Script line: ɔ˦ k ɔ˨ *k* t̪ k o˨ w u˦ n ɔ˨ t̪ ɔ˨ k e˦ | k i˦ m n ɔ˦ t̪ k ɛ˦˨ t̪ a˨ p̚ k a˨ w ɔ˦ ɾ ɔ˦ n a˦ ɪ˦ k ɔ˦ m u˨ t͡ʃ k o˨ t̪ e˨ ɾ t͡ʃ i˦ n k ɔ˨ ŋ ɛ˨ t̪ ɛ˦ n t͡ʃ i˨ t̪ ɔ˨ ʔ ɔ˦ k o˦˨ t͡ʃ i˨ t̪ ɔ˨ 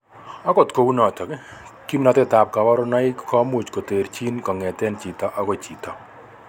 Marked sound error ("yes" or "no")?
yes